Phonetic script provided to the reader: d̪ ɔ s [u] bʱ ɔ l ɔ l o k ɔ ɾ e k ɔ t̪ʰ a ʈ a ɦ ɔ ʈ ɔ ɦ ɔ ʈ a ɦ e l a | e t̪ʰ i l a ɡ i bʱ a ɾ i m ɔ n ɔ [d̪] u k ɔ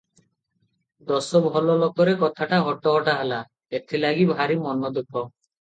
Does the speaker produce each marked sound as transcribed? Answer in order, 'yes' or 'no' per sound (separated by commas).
no, yes